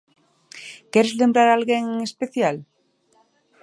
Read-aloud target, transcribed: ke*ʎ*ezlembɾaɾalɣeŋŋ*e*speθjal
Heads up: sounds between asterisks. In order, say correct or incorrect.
incorrect, correct

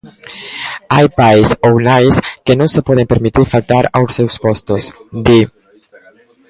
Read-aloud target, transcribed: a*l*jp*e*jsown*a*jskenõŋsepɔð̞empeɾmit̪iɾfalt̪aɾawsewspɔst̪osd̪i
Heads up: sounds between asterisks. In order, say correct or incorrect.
incorrect, incorrect, correct

